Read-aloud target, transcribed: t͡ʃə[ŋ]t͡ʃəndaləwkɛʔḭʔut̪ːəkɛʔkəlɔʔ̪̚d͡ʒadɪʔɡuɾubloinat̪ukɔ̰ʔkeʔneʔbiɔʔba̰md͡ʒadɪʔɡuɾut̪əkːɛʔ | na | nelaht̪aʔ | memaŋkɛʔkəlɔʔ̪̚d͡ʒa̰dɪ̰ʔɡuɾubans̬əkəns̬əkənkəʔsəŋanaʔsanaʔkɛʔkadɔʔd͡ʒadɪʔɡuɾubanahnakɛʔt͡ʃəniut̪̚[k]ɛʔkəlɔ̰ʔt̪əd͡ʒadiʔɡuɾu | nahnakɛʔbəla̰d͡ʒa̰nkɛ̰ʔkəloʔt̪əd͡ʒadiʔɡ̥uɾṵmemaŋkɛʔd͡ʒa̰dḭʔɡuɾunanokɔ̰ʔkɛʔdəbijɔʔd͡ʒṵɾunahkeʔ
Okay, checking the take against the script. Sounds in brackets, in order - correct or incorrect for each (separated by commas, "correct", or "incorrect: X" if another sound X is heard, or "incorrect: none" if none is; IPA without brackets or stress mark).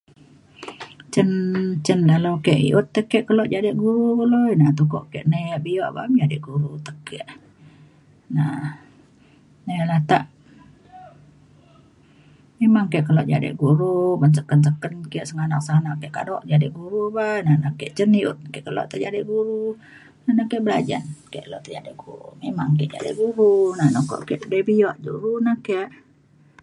incorrect: n, correct